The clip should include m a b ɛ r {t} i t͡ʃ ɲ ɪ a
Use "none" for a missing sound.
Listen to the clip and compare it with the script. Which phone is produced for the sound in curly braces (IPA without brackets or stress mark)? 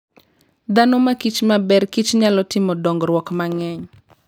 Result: k